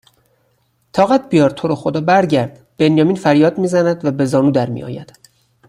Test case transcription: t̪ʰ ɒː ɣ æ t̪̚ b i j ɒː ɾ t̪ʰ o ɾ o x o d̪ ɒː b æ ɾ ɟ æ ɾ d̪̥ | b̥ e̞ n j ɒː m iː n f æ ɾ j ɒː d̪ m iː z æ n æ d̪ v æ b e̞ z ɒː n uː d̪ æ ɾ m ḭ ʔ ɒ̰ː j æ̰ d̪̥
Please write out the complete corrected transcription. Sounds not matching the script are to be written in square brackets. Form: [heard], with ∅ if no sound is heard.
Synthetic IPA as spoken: t̪ʰ ɒː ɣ æ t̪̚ b i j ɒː ɾ t̪ʰ o ɾ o x o d̪ ɒː b æ ɾ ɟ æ ɾ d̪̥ | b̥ e̞ n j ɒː m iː n f æ ɾ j ɒː d̪ m iː z æ n æ d̪ v æ b e̞ z ɒː n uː d̪ æ ɾ m ḭ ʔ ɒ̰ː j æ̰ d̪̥

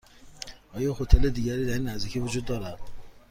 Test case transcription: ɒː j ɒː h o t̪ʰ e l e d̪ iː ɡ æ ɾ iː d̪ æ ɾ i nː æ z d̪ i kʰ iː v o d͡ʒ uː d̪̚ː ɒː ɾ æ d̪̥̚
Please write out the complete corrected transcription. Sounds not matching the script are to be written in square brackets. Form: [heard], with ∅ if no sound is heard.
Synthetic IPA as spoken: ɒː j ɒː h o t̪ʰ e l e d̪ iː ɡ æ ɾ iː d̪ æ ɾ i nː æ z d̪ i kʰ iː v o d͡ʒ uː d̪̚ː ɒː ɾ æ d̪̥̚

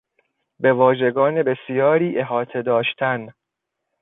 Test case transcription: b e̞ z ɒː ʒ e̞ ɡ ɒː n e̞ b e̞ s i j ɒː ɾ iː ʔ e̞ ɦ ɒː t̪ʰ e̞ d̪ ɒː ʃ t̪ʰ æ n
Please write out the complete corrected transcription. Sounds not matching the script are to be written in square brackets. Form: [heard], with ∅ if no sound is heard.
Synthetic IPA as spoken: b e̞ [v] ɒː ʒ e̞ ɡ ɒː n e̞ b e̞ s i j ɒː ɾ iː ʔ e̞ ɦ ɒː t̪ʰ e̞ d̪ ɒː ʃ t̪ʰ æ n

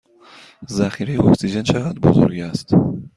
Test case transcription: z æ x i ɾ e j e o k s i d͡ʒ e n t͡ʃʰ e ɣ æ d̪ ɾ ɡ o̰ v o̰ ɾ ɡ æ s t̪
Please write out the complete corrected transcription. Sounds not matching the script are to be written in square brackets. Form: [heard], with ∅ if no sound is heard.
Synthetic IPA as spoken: z æ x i ɾ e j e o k s i d͡ʒ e n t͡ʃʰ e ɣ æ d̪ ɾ [b] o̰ [z] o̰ ɾ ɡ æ s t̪

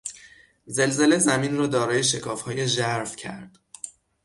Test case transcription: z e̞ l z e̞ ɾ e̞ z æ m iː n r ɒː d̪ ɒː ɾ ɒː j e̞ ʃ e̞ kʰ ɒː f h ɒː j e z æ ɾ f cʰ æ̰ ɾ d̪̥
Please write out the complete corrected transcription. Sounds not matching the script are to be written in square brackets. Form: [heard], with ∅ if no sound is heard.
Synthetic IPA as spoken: z e̞ l z e̞ [l] e̞ z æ m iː n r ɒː d̪ ɒː ɾ ɒː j e̞ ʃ e̞ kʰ ɒː f h ɒː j e [ʒ] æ ɾ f cʰ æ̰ ɾ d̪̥

